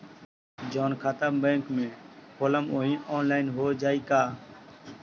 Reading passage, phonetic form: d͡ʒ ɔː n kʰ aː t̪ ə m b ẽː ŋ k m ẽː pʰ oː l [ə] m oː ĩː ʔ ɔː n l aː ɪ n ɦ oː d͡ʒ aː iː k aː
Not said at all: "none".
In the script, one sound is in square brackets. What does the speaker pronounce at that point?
ə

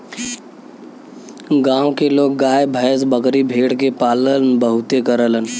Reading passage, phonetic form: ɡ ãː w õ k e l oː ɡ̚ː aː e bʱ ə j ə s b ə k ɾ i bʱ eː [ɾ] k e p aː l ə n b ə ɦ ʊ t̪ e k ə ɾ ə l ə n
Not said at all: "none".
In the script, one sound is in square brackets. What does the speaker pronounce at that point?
ɽ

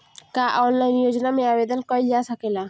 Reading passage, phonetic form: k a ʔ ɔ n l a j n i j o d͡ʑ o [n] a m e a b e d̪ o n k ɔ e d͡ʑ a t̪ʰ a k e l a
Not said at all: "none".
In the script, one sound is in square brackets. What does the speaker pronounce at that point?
n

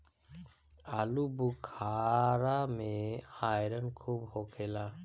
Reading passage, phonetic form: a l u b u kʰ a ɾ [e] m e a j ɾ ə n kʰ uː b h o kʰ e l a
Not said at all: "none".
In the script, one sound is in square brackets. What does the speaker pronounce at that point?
a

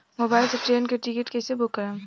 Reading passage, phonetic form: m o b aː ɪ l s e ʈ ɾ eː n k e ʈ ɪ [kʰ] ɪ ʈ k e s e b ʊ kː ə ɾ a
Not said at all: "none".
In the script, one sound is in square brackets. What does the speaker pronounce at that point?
k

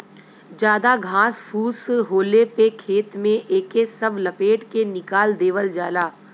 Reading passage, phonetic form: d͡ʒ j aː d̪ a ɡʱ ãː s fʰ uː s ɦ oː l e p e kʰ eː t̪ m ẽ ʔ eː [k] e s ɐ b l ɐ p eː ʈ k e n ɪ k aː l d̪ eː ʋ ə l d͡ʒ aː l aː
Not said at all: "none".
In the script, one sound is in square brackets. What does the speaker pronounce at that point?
k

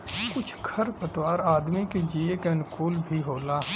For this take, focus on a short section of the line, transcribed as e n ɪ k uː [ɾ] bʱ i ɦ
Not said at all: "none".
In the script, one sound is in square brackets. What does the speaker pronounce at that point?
l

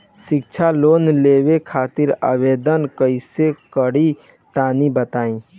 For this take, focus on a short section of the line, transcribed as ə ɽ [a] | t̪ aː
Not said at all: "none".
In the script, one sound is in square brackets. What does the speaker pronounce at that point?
i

